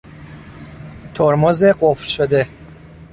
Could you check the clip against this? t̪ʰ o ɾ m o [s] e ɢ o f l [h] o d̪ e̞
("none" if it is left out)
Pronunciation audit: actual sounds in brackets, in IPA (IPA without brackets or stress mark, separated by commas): z, ʃ